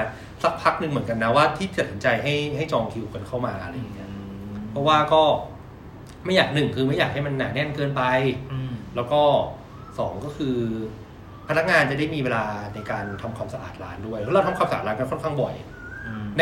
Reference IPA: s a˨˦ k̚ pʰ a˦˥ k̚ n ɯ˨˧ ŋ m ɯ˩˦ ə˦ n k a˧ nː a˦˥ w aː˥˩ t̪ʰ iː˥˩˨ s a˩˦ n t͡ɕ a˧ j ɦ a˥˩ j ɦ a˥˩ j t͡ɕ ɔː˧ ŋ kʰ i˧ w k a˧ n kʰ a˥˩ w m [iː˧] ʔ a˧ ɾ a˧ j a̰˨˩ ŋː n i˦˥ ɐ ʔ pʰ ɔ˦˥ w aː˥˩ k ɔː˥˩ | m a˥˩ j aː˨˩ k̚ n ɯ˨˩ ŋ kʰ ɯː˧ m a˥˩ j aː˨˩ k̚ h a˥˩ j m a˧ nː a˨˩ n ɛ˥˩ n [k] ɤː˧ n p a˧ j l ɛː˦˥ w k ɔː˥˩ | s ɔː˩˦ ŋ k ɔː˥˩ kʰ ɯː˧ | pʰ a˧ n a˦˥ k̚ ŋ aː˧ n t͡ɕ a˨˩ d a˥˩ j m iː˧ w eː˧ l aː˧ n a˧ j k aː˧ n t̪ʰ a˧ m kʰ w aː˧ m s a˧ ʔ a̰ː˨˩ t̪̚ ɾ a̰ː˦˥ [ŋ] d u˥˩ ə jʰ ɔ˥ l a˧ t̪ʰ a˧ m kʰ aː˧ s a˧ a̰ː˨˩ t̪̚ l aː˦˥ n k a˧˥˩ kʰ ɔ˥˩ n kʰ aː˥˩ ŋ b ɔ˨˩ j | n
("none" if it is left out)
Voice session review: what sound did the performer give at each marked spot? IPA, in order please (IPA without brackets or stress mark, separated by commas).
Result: aː˧, k, n